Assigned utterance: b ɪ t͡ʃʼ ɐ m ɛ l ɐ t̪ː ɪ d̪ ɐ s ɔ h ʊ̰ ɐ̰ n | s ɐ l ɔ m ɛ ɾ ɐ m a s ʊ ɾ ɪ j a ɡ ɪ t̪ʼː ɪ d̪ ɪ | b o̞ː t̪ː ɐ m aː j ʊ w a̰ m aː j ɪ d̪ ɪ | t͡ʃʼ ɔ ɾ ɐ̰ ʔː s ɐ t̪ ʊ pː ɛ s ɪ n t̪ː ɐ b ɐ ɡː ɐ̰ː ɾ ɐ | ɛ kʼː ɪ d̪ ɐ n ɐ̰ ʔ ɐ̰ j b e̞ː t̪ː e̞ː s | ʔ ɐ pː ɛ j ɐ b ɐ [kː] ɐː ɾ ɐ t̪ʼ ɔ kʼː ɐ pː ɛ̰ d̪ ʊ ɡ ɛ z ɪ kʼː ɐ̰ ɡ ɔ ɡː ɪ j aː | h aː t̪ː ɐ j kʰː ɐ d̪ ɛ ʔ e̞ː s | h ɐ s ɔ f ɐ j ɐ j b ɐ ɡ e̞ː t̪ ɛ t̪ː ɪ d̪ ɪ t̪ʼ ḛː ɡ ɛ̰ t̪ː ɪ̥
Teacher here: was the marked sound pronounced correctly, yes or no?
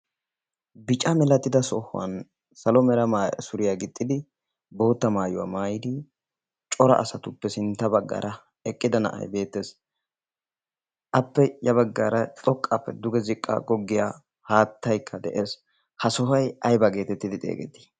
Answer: no